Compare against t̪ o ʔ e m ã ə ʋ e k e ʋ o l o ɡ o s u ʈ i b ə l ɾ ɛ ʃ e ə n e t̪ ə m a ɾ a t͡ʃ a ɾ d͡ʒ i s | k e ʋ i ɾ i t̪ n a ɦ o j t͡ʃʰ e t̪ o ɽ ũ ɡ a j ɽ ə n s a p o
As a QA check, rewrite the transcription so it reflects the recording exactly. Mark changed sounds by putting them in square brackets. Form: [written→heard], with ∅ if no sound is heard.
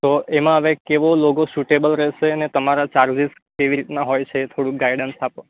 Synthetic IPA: t̪ o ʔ e m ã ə ʋ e k e ʋ o l o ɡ o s u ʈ [i→e] b ə l ɾ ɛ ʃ e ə n e t̪ ə m a ɾ a t͡ʃ a ɾ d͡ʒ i s | k e ʋ i ɾ i t̪ n a ɦ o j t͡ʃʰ e [t̪→t̪ʰ] o ɽ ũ ɡ a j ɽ ə n s a p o

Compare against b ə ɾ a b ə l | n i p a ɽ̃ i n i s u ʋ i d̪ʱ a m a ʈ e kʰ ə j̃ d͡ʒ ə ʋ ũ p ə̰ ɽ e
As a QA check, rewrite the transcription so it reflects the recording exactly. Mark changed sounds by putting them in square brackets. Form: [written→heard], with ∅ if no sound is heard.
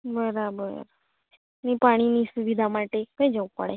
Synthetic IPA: b ə ɾ a b ə [l→ɾ] | n i p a ɽ̃ i n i s u ʋ i d̪ʱ a m a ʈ e [kʰ→k] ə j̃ d͡ʒ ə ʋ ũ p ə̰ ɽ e

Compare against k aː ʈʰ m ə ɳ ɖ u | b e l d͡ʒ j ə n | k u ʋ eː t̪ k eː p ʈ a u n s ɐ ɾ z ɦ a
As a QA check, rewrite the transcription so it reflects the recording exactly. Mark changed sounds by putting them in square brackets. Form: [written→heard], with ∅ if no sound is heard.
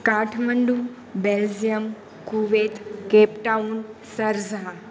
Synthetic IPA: k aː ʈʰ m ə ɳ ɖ u | b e l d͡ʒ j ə [n→m] | k u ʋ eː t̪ k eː p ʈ a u n s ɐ ɾ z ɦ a

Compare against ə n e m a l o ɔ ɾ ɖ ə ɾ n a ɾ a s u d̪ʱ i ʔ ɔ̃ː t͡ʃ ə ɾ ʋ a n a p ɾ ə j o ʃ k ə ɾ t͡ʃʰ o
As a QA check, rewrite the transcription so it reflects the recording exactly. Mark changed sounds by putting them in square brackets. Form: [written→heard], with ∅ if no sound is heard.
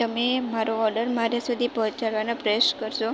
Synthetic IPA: ə [n→m] e m a [l→ɾ] o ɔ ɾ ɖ ə ɾ [n→m] a ɾ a s u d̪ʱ i [ʔ→p] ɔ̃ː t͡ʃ [ə→a] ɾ ʋ a n a p ɾ ə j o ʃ k ə ɾ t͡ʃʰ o

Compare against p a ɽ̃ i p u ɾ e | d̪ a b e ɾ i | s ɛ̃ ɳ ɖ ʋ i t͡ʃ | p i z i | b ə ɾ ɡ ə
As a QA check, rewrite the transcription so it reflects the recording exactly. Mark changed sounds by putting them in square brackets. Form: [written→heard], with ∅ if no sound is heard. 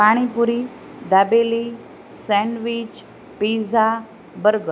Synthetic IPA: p a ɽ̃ i p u ɾ [e→i] | d̪ a b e [ɾ→l] i | s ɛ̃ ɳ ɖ ʋ i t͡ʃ | p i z [i→a] | b ə ɾ ɡ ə

